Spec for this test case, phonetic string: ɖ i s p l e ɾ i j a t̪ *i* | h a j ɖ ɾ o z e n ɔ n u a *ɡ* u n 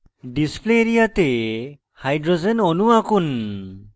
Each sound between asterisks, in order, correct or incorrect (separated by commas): incorrect, incorrect